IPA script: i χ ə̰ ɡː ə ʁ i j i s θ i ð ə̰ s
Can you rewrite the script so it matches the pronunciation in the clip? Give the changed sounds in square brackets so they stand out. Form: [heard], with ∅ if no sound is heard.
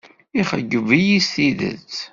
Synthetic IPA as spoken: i χ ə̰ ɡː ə [v] i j i s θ i ð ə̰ [t͡s]